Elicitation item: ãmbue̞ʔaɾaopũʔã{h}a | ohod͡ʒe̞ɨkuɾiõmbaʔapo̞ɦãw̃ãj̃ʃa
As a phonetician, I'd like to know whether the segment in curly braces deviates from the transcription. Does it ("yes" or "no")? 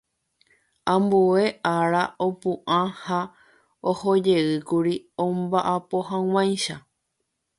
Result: no